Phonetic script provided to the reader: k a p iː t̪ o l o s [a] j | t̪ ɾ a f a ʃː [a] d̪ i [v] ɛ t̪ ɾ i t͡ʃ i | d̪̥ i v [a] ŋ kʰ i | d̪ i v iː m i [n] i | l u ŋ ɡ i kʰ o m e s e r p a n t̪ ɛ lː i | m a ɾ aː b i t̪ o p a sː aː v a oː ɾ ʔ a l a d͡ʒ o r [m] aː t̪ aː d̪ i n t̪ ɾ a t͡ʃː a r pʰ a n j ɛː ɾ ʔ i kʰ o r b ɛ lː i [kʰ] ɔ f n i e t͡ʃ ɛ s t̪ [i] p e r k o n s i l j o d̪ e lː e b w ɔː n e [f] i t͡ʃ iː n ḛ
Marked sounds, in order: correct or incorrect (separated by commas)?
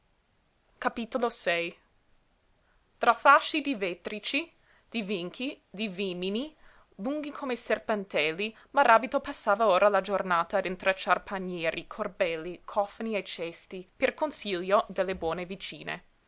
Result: incorrect, incorrect, correct, incorrect, correct, incorrect, correct, correct, incorrect